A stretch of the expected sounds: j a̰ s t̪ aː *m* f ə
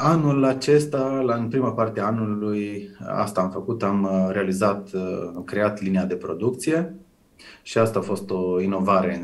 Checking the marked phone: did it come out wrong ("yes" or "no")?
no